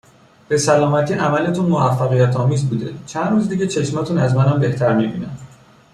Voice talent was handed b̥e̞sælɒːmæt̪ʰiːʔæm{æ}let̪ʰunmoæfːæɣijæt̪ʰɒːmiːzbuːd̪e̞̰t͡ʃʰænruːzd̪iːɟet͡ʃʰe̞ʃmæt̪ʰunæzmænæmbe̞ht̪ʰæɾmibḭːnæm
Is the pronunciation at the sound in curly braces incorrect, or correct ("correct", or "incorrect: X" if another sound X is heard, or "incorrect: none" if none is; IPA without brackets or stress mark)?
correct